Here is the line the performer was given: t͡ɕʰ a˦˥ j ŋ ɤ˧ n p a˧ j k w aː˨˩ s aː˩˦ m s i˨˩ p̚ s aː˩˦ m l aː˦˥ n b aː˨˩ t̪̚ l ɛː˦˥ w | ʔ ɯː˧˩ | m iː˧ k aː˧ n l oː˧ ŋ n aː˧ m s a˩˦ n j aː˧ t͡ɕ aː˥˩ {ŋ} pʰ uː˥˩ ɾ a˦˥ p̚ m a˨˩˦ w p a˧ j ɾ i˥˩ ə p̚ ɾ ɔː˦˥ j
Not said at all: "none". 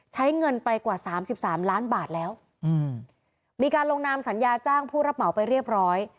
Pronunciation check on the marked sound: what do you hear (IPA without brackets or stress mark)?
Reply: ŋ